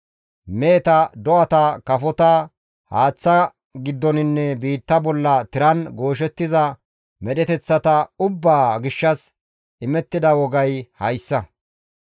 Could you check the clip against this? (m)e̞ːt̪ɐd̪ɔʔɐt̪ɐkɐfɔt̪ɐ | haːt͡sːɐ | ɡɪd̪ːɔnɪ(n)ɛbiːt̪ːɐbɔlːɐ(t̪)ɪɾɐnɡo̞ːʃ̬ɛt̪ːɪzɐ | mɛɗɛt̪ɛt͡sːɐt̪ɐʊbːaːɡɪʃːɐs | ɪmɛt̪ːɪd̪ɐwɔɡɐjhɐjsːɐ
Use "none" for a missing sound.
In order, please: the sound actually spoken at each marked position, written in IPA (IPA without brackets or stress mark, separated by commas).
m, nː, t̪